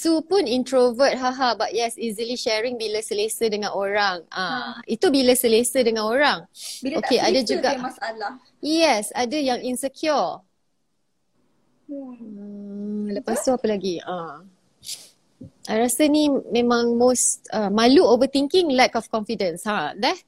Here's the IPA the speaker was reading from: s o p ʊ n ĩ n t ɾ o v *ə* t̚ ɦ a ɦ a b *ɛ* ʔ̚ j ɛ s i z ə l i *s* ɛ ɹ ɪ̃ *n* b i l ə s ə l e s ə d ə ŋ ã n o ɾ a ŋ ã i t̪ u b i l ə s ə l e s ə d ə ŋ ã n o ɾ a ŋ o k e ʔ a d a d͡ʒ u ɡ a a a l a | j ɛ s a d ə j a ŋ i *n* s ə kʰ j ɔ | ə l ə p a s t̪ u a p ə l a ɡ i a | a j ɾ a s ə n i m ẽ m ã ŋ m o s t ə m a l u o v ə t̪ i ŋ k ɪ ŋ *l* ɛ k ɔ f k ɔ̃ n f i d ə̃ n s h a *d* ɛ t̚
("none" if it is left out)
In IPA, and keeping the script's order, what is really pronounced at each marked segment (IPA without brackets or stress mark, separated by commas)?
ə, a, ʃ, ŋ, n, l, d